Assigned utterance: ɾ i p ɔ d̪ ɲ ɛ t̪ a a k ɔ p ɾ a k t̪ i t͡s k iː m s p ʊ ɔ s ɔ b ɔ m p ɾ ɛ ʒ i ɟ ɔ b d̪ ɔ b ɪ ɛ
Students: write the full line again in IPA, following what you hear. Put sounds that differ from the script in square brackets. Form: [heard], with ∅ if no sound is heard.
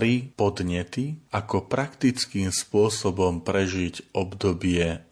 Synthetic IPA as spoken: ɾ i p ɔ d̪ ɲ ɛ t̪ [i] a k ɔ p ɾ a k t̪ i t͡s k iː m s p ʊ ɔ s ɔ b ɔ m p ɾ ɛ ʒ i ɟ ɔ b d̪ ɔ b ɪ ɛ